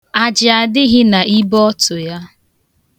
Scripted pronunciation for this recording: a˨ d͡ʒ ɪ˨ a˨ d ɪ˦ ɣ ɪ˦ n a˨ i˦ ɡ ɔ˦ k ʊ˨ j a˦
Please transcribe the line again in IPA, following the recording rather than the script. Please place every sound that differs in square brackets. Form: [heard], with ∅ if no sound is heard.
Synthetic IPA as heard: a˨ d͡ʒ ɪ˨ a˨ d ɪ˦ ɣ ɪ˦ n a˨ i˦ [b] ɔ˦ [t] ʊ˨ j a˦